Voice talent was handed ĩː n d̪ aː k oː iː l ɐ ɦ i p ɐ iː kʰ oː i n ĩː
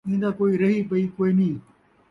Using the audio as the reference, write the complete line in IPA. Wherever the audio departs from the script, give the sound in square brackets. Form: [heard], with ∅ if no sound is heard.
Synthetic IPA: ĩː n d̪ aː k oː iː [ɾ] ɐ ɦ i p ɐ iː [k] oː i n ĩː